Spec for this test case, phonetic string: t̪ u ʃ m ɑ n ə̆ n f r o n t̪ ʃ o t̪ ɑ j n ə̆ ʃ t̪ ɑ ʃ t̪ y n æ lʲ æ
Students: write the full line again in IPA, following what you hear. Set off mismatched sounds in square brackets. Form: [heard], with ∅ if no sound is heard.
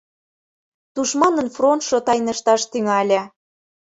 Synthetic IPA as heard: t̪ u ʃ m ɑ n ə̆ n f r o n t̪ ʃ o t̪ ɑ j n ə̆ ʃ t̪ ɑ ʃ t̪ y [ŋ] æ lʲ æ